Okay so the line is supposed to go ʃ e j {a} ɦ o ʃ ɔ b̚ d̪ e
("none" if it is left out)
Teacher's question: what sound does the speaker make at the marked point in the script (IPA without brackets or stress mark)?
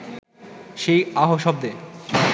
a